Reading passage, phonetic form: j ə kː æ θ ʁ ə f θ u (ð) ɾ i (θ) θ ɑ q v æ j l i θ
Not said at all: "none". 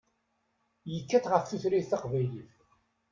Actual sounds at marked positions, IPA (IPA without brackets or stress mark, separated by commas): θ, θ